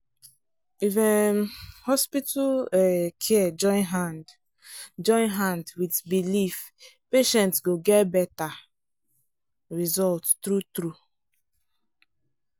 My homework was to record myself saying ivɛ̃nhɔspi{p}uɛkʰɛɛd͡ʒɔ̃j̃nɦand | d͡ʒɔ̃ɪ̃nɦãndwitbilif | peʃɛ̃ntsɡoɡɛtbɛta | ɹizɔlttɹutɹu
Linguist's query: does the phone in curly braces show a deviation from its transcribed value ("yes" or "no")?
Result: yes